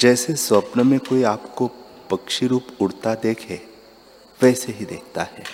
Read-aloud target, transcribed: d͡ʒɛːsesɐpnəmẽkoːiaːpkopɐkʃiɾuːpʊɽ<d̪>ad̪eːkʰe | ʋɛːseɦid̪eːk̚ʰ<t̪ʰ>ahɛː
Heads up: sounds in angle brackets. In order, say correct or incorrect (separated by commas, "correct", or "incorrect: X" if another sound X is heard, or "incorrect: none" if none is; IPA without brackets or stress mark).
incorrect: t̪, incorrect: t̪